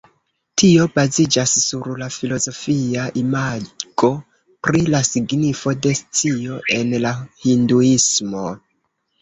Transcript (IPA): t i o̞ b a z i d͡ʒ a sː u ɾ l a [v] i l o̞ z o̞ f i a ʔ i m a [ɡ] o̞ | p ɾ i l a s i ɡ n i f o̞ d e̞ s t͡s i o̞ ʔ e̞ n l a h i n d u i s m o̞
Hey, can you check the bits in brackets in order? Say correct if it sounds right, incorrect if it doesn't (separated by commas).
incorrect, correct